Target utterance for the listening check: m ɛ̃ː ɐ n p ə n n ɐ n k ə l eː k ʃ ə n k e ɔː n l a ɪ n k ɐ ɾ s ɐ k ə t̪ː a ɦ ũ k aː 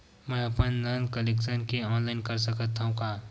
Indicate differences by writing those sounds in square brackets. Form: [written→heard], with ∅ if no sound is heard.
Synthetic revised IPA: m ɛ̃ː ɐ [n→∅] p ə n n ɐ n k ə l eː k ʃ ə n k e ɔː n l a ɪ n k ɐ ɾ s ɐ k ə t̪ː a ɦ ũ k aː